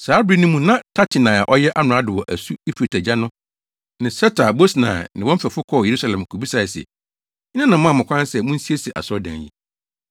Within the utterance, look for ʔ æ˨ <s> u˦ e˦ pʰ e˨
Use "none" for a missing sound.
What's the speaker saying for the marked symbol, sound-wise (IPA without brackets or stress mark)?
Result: s